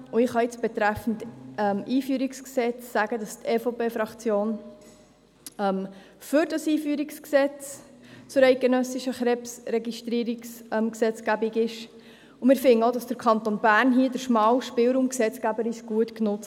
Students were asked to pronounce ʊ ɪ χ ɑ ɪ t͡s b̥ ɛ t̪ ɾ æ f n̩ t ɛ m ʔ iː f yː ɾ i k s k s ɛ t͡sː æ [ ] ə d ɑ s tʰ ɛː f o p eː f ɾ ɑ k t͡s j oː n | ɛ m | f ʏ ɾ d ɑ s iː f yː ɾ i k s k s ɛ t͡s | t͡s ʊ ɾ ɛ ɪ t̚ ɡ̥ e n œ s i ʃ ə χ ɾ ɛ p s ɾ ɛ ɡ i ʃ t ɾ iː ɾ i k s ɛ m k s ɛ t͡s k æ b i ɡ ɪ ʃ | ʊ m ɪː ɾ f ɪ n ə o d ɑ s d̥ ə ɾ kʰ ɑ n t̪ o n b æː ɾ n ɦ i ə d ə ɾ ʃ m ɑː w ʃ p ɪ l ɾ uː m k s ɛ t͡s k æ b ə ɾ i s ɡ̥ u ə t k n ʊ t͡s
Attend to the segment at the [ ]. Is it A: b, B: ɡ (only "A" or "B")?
B